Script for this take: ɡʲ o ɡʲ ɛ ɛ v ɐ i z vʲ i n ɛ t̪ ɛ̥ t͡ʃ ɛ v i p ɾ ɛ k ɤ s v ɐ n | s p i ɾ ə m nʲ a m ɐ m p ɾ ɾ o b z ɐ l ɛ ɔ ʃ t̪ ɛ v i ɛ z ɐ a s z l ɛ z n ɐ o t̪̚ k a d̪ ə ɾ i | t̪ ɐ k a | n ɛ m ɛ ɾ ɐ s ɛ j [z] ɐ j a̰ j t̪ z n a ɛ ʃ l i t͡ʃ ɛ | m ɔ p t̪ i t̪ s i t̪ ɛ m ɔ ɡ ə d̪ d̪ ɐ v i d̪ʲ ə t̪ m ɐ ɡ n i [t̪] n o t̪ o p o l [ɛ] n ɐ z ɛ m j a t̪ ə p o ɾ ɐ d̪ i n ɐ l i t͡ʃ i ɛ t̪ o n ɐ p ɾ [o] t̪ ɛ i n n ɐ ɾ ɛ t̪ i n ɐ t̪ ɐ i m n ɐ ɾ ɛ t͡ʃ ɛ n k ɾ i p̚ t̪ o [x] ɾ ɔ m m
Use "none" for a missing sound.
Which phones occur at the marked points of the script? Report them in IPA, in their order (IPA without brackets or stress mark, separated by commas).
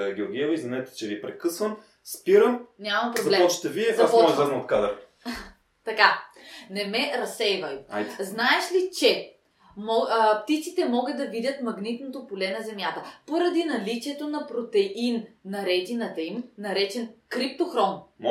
v, t̪, ɛ, o, x